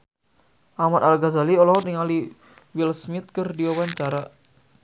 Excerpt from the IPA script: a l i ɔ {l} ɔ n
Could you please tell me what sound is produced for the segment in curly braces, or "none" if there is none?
l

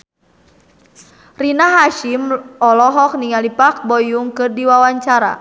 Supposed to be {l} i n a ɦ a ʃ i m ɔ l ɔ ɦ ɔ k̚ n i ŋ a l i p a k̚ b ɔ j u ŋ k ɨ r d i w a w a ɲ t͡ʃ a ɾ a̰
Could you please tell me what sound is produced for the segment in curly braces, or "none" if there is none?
r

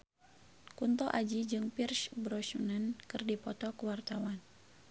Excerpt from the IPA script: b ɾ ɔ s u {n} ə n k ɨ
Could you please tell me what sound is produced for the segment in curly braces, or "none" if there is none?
n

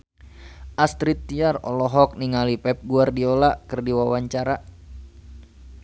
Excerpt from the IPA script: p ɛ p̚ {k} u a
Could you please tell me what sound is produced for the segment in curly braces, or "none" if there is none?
ɡ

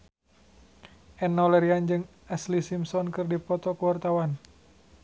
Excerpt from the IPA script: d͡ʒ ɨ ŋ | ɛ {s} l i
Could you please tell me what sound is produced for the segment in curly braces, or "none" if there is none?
s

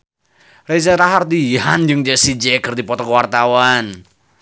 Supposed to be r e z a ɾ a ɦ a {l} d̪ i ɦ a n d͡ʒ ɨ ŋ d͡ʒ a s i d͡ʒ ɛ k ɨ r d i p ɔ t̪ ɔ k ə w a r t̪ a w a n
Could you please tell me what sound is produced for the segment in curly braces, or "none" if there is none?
r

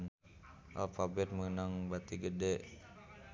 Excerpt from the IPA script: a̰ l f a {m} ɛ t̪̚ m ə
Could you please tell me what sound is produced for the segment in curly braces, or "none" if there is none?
b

